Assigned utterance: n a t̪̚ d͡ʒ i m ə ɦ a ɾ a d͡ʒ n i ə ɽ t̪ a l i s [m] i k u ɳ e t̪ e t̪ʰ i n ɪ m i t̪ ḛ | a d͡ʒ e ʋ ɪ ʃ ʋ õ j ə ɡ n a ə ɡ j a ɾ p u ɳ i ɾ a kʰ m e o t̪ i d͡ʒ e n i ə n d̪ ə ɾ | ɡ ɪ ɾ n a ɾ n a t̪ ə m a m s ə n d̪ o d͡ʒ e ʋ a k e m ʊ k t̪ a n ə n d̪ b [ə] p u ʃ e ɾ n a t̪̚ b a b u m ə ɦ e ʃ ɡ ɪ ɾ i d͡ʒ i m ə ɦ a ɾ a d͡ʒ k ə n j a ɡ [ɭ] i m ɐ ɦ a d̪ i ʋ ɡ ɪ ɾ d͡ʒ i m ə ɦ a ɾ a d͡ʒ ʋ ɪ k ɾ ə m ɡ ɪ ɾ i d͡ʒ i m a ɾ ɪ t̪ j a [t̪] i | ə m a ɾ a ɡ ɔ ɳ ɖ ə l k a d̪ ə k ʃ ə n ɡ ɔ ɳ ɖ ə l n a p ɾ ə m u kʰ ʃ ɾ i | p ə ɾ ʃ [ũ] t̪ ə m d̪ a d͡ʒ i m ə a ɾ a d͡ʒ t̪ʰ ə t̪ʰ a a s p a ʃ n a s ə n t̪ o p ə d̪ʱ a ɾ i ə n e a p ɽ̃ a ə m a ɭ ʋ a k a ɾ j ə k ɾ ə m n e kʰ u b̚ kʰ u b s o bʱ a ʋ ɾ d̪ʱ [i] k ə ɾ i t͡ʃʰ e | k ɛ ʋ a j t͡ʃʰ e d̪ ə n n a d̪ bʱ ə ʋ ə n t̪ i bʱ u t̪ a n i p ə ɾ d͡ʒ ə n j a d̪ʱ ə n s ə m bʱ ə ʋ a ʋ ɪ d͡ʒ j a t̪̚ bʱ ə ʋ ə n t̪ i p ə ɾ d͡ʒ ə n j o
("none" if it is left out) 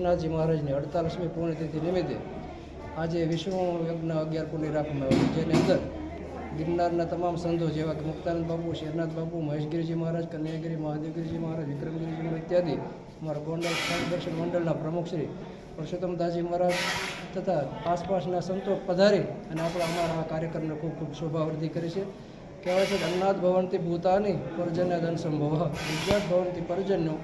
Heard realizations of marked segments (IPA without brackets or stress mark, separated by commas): m, a, ɾ, d̪, u, i